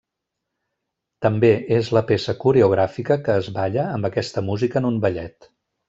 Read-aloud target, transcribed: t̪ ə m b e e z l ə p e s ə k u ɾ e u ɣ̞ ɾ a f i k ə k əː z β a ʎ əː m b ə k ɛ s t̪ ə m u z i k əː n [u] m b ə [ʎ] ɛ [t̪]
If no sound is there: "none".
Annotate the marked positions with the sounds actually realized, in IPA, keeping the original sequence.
u, ʎ, t̪

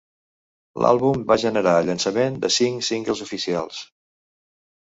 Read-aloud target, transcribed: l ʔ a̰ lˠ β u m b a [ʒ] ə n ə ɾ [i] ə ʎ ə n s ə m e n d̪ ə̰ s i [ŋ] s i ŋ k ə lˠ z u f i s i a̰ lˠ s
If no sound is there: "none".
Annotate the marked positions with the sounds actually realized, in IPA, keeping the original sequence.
ʒ, a, ŋ

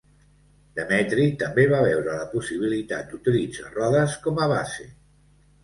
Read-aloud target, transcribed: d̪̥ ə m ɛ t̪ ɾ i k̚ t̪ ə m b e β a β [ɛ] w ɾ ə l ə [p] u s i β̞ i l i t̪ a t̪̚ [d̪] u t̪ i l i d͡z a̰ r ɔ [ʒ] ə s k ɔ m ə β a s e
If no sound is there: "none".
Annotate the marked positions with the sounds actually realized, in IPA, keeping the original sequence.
ɛ, p, d̪, ð

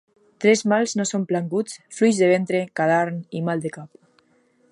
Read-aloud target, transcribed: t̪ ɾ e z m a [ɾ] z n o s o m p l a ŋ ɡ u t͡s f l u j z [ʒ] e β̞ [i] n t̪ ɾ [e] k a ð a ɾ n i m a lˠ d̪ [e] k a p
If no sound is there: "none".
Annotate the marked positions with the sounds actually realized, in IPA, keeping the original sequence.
l, ð, e, e, e

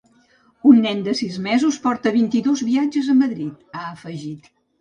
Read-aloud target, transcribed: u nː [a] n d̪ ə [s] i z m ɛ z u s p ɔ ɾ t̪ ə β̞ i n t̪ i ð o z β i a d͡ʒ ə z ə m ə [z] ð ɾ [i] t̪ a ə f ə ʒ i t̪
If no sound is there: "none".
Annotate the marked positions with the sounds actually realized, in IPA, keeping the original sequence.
ɛ, s, none, i

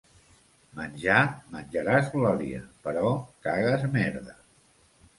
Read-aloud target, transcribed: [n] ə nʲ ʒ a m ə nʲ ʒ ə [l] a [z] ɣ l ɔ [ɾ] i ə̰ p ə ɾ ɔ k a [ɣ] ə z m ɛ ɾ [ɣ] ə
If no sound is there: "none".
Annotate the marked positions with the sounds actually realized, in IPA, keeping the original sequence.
m, ɾ, z, ɾ, ɣ, ð

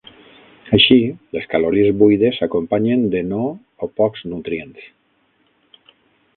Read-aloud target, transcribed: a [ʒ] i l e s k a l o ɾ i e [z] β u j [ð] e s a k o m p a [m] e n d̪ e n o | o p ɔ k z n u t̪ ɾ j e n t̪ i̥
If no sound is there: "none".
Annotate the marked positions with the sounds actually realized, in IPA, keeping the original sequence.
ʃ, z, ð, ɲ

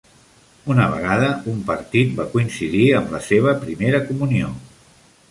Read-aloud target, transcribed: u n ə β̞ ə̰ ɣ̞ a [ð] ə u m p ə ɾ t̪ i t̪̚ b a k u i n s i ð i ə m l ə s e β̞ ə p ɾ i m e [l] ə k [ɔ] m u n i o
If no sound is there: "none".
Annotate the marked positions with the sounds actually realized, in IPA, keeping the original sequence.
ð, ɾ, u

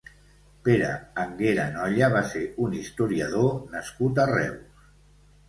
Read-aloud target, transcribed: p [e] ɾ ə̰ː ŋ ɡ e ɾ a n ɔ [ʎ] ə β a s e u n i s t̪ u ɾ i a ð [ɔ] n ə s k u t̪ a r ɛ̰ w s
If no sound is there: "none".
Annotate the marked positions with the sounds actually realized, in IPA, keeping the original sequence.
e, ʎ, o

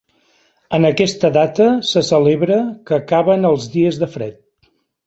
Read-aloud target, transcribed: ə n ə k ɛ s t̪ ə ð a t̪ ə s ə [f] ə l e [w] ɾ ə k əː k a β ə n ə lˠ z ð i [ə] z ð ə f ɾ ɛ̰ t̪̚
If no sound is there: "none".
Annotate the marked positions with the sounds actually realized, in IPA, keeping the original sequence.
s, β, ə

